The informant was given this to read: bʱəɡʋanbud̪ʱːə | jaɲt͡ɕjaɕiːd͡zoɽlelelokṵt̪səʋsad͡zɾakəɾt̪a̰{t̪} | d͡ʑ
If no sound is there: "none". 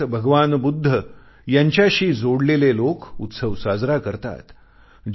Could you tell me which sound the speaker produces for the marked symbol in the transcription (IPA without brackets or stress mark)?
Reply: t̪